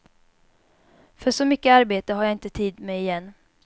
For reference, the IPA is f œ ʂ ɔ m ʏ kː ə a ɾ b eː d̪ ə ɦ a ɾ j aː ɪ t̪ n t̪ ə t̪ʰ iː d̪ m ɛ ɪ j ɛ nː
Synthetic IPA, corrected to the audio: f œ ʂ ɔ m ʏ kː ə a ɾ b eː t̪ ə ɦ a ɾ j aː ɪ n t̪ ə t̪ʰ iː d̪ m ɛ ɪ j ɛ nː